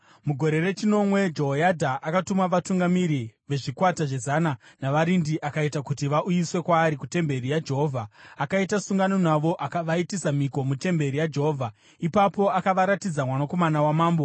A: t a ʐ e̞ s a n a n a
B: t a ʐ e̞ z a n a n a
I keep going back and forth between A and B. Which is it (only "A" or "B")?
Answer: B